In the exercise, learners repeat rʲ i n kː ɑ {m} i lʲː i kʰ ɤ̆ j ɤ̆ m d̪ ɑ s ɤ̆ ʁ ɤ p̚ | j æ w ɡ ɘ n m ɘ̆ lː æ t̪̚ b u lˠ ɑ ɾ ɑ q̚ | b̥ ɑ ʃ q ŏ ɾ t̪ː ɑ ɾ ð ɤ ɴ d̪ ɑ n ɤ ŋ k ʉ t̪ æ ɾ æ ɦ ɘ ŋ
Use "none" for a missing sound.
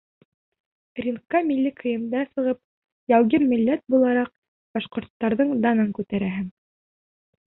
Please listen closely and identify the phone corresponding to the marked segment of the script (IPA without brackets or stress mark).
m